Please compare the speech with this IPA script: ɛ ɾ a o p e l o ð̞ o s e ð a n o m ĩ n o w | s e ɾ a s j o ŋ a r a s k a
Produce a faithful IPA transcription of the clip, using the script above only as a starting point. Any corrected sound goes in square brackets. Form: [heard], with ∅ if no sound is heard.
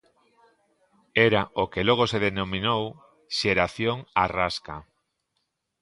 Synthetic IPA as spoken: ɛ ɾ a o [k] e l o [ɣ̞] o s e ð [e] n o m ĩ n o w | [ʃ] e ɾ a [θ] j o ŋ a r a s k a